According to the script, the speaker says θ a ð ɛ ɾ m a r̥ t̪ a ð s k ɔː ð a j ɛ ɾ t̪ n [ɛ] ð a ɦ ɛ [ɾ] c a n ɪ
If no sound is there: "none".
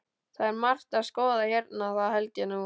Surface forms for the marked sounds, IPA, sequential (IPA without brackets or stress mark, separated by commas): a, l